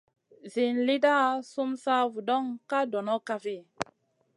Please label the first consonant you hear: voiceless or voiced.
voiced